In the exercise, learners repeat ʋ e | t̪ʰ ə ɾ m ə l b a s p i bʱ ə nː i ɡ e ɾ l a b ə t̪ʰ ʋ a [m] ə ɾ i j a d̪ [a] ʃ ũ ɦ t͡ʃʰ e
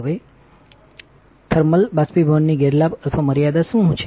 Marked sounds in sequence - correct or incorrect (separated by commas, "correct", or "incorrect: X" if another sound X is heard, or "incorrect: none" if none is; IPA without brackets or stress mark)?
correct, correct